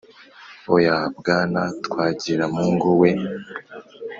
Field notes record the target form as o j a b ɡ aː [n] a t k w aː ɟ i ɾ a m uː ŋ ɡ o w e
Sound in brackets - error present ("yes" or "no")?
no